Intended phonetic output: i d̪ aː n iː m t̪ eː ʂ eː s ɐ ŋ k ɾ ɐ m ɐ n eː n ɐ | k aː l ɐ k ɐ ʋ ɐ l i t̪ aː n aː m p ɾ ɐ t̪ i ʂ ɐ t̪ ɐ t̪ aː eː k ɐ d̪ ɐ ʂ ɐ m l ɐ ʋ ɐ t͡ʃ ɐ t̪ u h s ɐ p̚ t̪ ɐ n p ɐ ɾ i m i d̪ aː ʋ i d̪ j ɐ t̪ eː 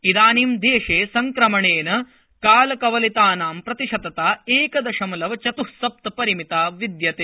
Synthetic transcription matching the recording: i d̪ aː n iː m d̪ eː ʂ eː s ɐ ŋ k ɾ ɐ m ɐ ɳ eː n ɐ | k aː l ɐ k ɐ ʋ ɐ l i t̪ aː n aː m p ɾ ɐ t̪ i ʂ ɐ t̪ ɐ t̪ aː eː k ɐ d̪ ɐ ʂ ɐ m l ɐ ʋ ɐ t͡ʃ ɐ t̪ u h s ɐ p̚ t̪ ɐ p ɐ ɾ i m i t̪ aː ʋ i d̪ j ɐ t̪ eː

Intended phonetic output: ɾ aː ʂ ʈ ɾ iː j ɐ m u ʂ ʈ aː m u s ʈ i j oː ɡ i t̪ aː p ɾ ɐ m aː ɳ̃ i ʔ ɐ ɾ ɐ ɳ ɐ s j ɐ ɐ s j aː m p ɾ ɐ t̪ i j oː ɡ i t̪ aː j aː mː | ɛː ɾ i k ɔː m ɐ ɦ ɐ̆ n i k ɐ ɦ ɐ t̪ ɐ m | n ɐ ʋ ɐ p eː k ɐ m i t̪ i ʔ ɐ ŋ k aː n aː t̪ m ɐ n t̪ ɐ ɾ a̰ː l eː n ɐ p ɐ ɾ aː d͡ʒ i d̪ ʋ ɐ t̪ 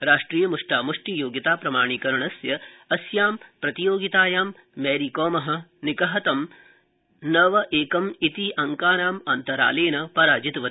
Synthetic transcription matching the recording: ɾ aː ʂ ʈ ɾ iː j ɐ m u ʂ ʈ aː m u ʂ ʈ i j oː ɡ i t̪ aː p ɾ ɐ m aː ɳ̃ i k ɐ ɾ ɐ ɳ ɐ s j ɐ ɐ s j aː m p ɾ ɐ t̪ i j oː ɡ i t̪ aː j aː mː | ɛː ɾ i k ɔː m ɐ ɦ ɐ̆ n i k ɐ ɦ ɐ t̪ ɐ m | n ɐ ʋ ɐ ʔ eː k ɐ m i t̪ i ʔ ɐ ŋ k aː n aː m ɐ n t̪ ɐ ɾ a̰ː l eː n ɐ p ɐ ɾ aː d͡ʒ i t̪ ʋ ɐ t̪

